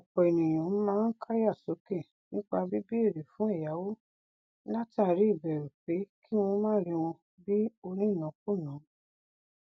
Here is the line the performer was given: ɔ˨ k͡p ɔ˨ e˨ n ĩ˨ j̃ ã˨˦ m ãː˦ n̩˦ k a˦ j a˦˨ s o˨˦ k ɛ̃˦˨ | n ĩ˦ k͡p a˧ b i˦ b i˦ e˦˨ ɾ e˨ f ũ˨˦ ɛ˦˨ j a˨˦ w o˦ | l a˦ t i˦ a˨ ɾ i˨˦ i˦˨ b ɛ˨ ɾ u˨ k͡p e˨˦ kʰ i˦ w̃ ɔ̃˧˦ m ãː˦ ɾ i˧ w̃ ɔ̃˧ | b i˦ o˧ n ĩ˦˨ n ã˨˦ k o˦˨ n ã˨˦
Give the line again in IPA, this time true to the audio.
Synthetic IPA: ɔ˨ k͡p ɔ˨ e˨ n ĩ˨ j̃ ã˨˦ m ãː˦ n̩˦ k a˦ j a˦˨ s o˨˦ k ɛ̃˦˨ | n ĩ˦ k͡p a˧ b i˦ b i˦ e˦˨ ɾ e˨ f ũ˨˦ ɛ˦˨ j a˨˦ w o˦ | l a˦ t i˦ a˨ ɾ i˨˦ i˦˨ b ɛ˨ ɾ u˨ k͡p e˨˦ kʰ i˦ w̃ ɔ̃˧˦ m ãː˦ ɾ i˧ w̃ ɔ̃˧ | b i˦ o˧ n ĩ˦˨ n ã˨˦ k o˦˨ n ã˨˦